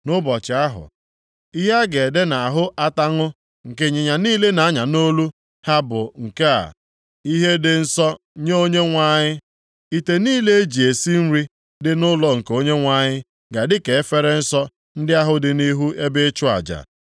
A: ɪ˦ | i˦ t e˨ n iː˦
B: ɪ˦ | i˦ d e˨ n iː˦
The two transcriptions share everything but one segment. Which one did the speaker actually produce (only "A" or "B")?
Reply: A